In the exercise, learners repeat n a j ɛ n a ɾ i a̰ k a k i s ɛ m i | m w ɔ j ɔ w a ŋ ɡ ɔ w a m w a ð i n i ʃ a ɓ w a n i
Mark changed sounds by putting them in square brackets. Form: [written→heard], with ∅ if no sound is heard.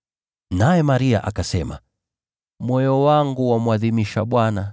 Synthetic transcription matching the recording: n a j ɛ [n→m] a ɾ i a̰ [k→ʔ] a k [i→a] s ɛ m [i→a] | m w ɔ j ɔ w a ŋ ɡ [ɔ→u] w a m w a ð i [n→m] i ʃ a ɓ w a n [i→a]